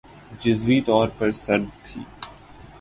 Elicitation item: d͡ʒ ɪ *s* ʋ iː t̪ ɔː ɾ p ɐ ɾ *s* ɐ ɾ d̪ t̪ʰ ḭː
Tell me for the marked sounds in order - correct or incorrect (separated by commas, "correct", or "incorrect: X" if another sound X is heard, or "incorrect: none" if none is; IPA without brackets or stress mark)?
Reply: incorrect: z, correct